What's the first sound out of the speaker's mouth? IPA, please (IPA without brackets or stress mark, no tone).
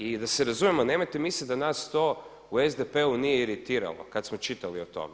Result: i